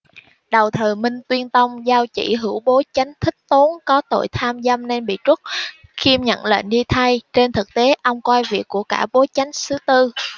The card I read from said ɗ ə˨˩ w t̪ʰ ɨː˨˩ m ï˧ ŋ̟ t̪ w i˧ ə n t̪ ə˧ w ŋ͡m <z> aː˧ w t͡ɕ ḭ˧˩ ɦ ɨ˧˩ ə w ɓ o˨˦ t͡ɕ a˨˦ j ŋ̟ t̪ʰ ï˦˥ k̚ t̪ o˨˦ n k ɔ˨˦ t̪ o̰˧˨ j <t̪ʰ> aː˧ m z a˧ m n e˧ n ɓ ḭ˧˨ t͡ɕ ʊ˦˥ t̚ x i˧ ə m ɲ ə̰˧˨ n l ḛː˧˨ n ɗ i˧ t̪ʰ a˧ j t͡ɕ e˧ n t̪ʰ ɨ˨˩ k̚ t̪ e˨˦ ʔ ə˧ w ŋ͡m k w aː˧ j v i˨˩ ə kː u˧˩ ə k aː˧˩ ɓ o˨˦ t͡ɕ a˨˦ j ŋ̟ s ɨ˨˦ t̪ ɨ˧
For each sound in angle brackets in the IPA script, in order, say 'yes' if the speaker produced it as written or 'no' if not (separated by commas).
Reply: yes, yes